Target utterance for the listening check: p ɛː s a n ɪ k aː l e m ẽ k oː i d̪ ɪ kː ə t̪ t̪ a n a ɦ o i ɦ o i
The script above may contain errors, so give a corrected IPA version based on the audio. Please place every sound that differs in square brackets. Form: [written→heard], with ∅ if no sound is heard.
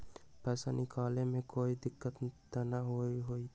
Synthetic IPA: p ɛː s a n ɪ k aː l e m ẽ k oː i d̪ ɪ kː ə t̪ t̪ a n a ɦ o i ɦ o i